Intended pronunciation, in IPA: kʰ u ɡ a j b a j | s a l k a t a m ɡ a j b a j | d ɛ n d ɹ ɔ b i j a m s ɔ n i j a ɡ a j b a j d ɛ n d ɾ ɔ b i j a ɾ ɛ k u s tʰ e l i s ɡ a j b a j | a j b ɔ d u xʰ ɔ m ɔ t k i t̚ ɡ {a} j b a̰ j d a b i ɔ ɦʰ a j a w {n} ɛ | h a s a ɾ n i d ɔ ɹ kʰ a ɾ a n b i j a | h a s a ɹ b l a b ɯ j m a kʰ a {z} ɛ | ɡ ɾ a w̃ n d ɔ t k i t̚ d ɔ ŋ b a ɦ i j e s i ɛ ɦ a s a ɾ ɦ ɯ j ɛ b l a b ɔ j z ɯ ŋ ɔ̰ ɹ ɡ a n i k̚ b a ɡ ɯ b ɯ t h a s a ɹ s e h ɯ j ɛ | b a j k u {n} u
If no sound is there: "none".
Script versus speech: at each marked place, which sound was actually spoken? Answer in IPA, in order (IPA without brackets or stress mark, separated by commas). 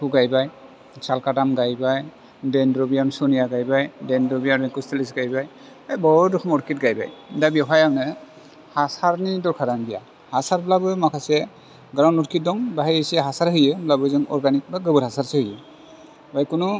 a, n, s, n